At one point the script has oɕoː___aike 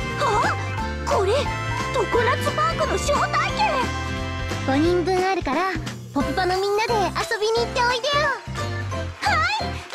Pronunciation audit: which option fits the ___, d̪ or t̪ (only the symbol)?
t̪